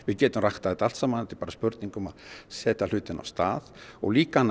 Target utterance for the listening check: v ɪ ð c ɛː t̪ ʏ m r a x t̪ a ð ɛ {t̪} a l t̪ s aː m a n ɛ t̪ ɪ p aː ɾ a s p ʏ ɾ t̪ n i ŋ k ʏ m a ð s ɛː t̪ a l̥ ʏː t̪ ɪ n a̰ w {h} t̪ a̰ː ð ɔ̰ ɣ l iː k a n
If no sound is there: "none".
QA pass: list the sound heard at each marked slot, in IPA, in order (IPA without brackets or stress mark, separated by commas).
t̪, s